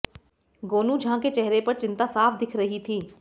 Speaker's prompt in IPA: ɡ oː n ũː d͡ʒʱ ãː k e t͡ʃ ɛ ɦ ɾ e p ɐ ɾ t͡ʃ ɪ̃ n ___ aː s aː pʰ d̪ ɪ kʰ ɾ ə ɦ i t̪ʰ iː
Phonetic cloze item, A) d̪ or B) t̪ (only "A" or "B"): B